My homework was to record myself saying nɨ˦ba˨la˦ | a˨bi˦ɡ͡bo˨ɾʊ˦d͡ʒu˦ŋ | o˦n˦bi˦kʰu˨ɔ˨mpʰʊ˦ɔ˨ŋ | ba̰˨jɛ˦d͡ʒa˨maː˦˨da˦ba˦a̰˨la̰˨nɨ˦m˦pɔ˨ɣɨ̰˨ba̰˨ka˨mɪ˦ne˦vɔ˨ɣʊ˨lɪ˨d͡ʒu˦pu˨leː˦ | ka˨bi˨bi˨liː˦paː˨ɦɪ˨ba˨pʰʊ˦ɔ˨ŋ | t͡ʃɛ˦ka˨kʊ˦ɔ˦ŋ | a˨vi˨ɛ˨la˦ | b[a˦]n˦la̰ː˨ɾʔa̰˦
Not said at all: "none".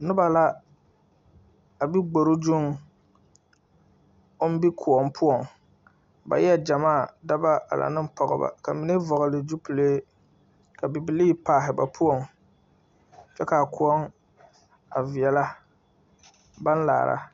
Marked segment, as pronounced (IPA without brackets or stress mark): a˦